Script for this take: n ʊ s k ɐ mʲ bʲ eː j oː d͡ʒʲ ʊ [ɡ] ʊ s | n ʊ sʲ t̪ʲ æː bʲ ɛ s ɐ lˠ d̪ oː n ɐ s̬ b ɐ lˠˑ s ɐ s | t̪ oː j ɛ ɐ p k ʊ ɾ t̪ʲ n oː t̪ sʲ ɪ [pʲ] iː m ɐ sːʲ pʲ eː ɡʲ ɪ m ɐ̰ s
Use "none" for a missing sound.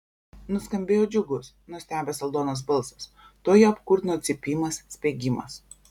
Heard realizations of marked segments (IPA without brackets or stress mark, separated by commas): ɡ, pʲ